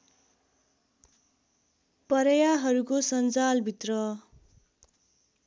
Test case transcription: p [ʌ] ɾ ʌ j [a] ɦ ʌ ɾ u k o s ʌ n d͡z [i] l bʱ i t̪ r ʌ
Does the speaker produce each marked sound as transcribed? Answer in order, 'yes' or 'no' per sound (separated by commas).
yes, yes, no